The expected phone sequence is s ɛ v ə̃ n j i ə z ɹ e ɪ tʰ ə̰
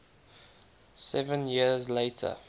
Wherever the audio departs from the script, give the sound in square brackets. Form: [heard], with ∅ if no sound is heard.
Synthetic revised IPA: s ɛ v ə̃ n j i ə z [l] e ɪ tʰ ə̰